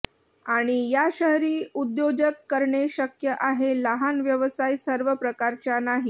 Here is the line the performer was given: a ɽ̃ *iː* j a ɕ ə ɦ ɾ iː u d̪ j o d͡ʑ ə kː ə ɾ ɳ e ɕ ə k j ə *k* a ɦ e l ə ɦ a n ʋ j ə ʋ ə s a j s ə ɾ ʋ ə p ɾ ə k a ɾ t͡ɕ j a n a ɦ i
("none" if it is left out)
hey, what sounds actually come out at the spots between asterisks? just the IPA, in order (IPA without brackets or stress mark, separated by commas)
i, ʔ